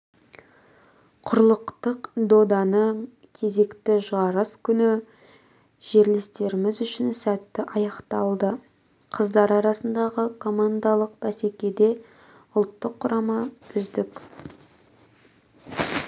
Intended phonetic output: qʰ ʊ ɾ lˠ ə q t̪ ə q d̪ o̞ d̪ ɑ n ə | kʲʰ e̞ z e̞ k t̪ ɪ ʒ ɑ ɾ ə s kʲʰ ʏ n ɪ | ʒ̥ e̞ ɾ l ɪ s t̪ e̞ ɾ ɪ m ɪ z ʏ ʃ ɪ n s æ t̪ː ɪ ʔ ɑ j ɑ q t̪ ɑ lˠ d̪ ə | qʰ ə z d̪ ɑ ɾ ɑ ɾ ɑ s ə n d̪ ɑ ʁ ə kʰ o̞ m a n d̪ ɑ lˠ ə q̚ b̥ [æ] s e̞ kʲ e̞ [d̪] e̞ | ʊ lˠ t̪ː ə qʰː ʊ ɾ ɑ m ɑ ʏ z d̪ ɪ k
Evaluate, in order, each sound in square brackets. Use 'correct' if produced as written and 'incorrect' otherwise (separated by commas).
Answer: correct, correct